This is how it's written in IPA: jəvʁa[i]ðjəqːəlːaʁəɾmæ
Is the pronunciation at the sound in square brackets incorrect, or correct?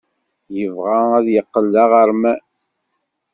incorrect